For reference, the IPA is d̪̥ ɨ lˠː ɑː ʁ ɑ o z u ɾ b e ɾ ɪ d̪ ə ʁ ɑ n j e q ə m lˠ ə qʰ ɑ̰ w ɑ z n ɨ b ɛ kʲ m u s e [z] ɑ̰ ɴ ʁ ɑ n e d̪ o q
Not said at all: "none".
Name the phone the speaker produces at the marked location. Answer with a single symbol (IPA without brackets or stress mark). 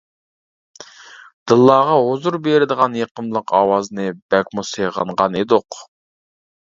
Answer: ʁ